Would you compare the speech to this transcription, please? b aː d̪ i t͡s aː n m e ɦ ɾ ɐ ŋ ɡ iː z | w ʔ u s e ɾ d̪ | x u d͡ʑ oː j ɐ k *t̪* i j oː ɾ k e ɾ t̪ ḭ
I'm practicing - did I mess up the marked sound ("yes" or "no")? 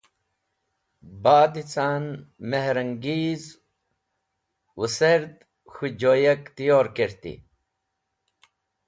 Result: no